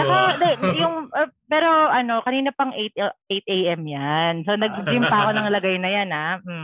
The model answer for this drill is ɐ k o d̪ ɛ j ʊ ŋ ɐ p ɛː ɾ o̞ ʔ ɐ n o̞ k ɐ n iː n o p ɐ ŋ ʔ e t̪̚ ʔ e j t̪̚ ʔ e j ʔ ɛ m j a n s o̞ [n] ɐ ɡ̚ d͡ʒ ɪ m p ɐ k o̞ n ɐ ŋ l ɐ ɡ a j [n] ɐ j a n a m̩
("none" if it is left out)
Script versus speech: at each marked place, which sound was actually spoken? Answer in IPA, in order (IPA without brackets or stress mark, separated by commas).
n, n